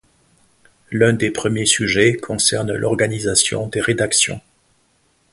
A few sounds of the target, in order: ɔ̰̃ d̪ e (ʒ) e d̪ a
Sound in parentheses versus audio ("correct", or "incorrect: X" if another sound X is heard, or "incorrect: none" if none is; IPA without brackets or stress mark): incorrect: ʁ